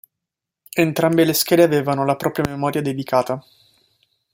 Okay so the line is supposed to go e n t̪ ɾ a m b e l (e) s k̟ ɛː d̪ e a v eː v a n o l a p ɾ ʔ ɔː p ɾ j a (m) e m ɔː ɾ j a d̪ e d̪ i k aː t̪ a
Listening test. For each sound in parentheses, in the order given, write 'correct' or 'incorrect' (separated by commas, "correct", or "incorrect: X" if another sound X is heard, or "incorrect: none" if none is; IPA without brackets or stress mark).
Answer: correct, correct